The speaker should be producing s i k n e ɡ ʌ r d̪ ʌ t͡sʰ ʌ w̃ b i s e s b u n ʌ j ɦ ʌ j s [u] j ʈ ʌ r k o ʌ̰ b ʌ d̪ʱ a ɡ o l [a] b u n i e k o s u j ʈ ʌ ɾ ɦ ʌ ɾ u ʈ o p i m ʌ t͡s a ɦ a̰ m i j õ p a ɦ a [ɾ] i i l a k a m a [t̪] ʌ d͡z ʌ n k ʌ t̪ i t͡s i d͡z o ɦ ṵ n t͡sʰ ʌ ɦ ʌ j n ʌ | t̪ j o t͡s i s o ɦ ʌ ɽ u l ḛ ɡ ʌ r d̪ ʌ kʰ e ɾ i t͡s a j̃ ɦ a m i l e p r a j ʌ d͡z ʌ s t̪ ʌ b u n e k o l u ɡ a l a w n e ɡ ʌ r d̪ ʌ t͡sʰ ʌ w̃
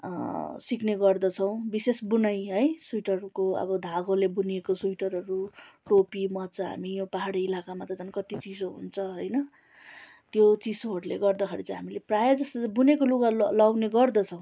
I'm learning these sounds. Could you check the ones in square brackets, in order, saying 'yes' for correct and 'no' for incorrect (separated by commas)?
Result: yes, no, no, yes